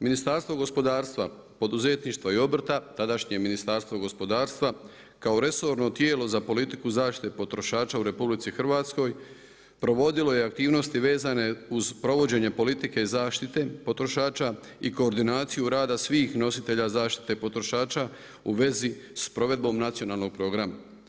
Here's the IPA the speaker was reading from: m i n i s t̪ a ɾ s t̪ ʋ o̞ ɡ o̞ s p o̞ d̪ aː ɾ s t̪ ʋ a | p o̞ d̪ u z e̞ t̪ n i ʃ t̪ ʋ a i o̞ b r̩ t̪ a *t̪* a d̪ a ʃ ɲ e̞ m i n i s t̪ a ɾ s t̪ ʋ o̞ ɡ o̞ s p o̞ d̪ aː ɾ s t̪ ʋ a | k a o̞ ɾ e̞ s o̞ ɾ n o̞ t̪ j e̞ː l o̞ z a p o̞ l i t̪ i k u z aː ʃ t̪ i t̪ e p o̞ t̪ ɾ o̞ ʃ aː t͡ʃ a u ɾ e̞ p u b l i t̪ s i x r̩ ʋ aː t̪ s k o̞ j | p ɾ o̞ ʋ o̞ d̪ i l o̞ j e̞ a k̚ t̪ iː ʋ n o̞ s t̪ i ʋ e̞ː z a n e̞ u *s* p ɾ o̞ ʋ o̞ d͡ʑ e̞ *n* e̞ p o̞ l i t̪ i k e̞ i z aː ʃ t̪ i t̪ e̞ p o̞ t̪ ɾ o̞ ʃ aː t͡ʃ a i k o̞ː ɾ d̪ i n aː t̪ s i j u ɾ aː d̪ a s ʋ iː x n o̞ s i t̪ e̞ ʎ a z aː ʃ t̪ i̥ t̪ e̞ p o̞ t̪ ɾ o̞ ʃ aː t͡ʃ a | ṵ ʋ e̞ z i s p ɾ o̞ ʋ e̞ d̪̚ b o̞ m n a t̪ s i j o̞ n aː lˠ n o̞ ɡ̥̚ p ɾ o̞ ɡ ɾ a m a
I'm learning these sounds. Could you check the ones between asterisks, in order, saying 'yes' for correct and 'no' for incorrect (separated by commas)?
yes, no, no